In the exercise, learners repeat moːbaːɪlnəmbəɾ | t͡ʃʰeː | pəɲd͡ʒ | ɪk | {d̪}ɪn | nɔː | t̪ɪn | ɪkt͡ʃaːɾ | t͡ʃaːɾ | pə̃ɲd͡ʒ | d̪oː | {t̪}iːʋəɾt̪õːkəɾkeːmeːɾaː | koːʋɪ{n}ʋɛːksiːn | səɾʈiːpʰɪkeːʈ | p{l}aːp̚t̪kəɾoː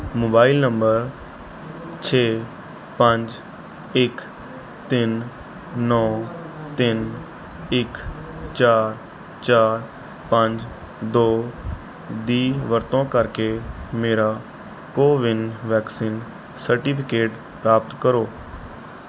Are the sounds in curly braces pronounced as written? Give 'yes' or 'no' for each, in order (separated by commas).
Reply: no, no, yes, no